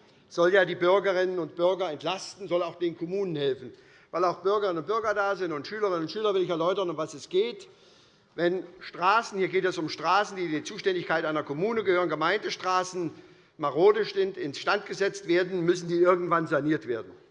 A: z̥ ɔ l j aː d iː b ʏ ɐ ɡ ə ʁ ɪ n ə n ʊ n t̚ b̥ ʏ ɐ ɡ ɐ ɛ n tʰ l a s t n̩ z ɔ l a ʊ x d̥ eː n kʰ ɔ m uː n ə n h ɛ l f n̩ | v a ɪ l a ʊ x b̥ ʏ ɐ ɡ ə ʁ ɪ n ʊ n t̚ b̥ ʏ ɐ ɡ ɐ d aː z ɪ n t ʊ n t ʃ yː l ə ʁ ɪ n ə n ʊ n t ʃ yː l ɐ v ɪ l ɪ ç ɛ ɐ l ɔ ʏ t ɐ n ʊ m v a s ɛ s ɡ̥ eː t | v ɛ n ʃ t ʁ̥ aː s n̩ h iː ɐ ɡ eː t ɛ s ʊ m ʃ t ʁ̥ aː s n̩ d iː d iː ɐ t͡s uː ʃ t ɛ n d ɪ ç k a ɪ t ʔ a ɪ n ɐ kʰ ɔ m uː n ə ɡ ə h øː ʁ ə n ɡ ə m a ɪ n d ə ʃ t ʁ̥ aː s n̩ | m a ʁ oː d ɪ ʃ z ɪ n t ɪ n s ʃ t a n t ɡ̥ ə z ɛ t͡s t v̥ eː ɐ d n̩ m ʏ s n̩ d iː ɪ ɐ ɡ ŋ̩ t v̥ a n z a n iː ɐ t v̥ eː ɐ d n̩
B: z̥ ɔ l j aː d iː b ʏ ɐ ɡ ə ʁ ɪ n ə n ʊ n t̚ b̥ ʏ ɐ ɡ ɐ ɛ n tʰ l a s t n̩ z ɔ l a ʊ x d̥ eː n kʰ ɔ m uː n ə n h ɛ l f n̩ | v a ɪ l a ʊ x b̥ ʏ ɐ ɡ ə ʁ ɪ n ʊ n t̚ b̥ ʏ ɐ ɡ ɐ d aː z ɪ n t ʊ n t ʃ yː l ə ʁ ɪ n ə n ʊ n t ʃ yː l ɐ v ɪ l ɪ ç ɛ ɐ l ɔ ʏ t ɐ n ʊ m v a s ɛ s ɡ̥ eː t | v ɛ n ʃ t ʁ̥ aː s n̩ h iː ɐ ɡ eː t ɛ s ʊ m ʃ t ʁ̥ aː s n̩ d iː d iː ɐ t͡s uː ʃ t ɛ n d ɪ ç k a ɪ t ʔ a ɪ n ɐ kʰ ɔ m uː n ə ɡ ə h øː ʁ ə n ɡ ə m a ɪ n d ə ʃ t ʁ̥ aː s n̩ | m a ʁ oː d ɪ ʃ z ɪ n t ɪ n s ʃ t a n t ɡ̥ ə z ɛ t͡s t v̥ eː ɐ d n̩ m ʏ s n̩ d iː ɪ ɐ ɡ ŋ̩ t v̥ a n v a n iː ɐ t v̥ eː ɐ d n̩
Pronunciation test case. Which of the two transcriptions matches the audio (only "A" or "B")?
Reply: A